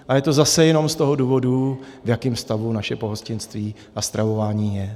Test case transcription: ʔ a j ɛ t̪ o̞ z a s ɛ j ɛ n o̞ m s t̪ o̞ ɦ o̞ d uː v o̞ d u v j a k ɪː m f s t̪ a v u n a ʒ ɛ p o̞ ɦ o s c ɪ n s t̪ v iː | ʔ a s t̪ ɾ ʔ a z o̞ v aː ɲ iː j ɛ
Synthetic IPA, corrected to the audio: ʔ a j ɛ t̪ o̞ z a s ɛ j ɛ n o̞ m s t̪ o̞ ɦ o̞ d uː v o̞ d u v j a k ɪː m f s t̪ a v u n a ʃ ɛ p o̞ ɦ o s c ɪ n s t̪ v iː | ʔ a s t̪ ɾ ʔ a v o̞ v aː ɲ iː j ɛ